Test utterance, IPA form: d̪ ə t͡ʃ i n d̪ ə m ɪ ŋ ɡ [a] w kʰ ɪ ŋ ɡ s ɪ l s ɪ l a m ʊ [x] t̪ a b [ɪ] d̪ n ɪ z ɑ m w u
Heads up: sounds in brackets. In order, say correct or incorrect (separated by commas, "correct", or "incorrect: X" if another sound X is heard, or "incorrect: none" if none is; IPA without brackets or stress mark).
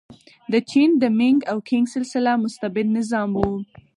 correct, incorrect: s, correct